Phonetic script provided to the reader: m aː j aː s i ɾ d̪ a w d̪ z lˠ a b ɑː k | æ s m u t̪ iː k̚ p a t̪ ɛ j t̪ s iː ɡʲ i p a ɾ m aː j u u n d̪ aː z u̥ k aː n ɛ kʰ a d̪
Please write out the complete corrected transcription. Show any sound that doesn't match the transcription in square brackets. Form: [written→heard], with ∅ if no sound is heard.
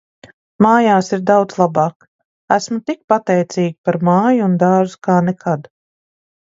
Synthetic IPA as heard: m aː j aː s i ɾ d̪ a w d̪ z lˠ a b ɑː k | æ s m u t̪ [iː→i] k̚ p a t̪ ɛ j t̪ s iː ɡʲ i p a ɾ m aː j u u n d̪ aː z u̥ k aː n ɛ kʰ a d̪

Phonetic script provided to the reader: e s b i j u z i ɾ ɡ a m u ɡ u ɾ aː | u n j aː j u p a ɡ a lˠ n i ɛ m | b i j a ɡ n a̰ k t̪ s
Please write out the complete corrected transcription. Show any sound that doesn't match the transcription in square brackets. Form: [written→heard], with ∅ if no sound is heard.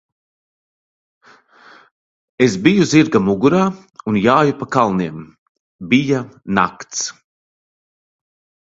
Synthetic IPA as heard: e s b i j u z i ɾ ɡ a m u ɡ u ɾ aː | u n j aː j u p a [ɡ→k] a lˠ n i ɛ m | b i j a [ɡ→∅] n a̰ k t̪ s

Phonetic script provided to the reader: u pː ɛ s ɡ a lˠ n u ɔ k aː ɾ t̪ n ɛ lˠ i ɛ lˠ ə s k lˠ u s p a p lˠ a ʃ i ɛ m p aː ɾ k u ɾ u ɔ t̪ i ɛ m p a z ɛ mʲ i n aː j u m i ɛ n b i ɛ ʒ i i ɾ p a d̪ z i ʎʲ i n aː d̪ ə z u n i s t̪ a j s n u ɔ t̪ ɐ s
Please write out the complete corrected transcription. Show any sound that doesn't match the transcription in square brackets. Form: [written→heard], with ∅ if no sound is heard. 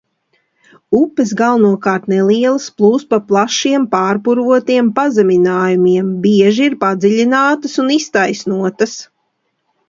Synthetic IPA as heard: u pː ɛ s ɡ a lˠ n u ɔ k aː ɾ t̪ n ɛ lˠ i ɛ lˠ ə s [k→p] lˠ [u→uː] s p a p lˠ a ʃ i ɛ m p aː ɾ [k→p] u ɾ u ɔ t̪ i ɛ m p a z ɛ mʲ i n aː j u m i ɛ [n→m] b i ɛ ʒ i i ɾ p a d̪ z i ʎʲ i n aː [d̪→t̪] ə [z→s] u n i s t̪ a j s n u ɔ t̪ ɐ s

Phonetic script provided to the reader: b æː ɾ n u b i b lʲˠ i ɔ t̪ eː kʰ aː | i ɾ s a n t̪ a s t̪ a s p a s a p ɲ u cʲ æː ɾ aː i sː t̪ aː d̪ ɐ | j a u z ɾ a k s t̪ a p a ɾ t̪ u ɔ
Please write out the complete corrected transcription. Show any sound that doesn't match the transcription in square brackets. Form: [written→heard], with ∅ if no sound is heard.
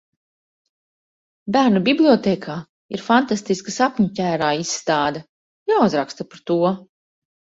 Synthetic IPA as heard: b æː ɾ n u b i b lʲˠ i ɔ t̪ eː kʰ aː | i ɾ [s→f] a n t̪ a s t̪ [a→i] s [p→k] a s a p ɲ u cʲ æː ɾ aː i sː t̪ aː d̪ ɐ | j a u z ɾ a k s t̪ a p a ɾ t̪ u ɔ

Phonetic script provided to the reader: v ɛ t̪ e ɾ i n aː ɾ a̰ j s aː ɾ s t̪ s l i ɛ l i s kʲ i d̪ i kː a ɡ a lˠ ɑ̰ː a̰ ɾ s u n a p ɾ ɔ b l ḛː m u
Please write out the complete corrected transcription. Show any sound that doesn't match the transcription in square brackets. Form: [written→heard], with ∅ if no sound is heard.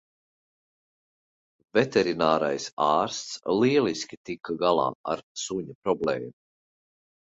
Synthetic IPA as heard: v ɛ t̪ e ɾ i n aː ɾ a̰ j s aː ɾ s t̪ s l i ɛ l i s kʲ i [d̪→t̪] i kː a ɡ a lˠ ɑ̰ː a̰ ɾ s u [n→ɲ] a p ɾ ɔ b l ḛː m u

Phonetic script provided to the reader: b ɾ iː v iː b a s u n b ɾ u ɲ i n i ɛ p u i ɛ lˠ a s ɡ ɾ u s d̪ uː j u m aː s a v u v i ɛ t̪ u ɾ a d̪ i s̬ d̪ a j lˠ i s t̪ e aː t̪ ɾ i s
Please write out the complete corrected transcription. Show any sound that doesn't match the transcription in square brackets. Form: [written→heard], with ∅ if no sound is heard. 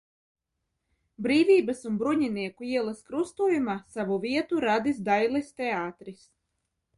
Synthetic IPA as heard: b ɾ iː v iː b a s u n b ɾ u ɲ i n i ɛ [p→k] u i ɛ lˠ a s [ɡ→k] ɾ u s [d̪→t̪] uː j u m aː s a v u v i ɛ t̪ u ɾ a d̪ i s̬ d̪ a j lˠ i s t̪ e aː t̪ ɾ i s

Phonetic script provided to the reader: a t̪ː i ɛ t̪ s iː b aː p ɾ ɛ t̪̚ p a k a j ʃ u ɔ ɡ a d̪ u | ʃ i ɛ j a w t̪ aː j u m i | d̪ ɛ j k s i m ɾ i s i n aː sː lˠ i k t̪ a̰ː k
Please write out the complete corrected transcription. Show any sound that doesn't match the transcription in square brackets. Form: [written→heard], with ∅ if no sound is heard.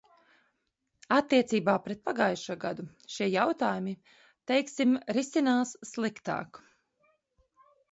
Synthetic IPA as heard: a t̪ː i ɛ t̪ s iː b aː p ɾ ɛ t̪̚ p a [k→ɡ] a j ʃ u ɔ ɡ a d̪ u | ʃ i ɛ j a w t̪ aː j u m i | [d̪→t̪] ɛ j k s i m ɾ i s i n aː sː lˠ i k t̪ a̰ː k

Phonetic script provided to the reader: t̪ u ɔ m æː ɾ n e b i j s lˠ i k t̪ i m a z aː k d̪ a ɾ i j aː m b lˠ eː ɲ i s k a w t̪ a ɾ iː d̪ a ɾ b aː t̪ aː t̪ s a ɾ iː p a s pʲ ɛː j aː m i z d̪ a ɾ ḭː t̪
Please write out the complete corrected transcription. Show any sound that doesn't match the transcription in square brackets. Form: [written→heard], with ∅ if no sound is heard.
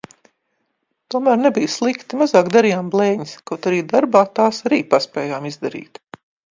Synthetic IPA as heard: t̪ u ɔ m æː ɾ n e b i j s lˠ i k t̪ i m a z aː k d̪ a ɾ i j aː m b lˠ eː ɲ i s k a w t̪ a ɾ iː d̪ a ɾ b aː t̪ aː [t̪→∅] s a ɾ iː p a s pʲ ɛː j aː m i z d̪ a ɾ ḭː t̪

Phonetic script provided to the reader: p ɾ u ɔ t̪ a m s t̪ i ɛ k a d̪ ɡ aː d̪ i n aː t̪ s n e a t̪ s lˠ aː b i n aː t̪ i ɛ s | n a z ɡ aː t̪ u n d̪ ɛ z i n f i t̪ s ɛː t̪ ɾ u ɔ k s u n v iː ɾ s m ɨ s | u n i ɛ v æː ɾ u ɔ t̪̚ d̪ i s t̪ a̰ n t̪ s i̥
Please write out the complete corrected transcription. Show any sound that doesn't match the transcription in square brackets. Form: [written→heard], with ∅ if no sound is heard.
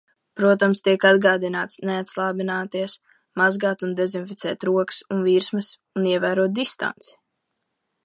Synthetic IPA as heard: p ɾ u ɔ t̪ a m s t̪ i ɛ k a d̪ ɡ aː d̪ i n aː t̪ s n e a t̪ s lˠ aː b i n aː t̪ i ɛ s | [n→m] a z ɡ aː t̪ u n d̪ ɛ z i n f i t̪ s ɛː t̪ ɾ u ɔ k s u n v iː ɾ s m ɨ s | u n i ɛ v æː ɾ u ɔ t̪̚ d̪ i s t̪ a̰ n t̪ s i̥

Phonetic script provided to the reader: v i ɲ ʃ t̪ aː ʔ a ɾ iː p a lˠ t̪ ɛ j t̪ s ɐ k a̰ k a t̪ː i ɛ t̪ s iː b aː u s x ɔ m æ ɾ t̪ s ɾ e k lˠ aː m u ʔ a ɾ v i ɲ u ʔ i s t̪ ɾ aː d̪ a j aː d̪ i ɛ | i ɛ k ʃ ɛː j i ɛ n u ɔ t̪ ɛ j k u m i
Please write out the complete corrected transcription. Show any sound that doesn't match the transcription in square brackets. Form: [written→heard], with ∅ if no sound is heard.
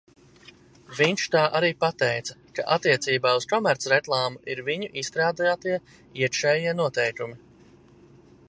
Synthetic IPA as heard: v i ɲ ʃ t̪ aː ʔ a ɾ iː p a [lˠ→∅] t̪ ɛ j t̪ s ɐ k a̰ [k→ʔ] a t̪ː i ɛ t̪ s iː b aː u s [x→k] ɔ m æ ɾ t̪ s ɾ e k lˠ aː m u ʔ [a→i] ɾ v i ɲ u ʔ i s t̪ ɾ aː d̪ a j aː [d̪→t̪] i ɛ | i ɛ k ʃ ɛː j i ɛ n u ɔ t̪ ɛ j k u m i

